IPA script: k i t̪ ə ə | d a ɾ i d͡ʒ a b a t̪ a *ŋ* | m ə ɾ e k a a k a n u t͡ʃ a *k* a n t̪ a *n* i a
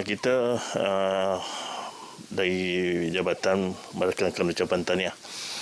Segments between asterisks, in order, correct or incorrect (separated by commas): incorrect, incorrect, correct